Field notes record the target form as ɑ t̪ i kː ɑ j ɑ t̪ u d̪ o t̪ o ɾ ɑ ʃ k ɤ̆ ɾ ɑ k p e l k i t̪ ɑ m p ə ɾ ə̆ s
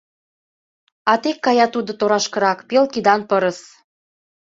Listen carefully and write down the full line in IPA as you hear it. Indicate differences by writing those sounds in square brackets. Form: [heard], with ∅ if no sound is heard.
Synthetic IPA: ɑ t̪ [e] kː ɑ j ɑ t̪ u d̪ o t̪ o ɾ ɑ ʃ k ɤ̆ ɾ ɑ k p e l k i [d̪] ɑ [n] p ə ɾ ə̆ s